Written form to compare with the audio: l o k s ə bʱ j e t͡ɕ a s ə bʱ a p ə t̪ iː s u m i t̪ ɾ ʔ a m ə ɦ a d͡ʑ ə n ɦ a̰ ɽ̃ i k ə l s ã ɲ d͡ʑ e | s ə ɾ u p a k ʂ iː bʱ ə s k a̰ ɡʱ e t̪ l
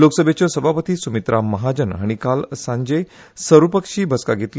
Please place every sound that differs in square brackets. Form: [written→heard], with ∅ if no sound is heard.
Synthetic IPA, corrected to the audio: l o k s ə bʱ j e t͡ɕ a s ə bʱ a p ə t̪ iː s u m i t̪ ɾ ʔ a m ə ɦ a d͡ʑ ə n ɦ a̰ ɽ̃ i k [ə→a] l s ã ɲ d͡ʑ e | s ə ɾ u p [a→ə] k ʂ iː bʱ ə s k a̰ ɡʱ e t̪ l